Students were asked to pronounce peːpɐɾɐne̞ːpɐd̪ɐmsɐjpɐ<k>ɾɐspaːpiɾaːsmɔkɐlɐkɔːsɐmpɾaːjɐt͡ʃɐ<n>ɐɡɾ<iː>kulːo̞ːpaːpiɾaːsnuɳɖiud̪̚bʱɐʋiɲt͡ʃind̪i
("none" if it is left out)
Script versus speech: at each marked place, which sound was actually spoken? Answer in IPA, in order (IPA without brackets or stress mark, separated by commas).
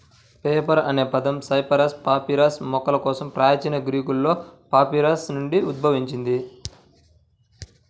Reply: none, n, iː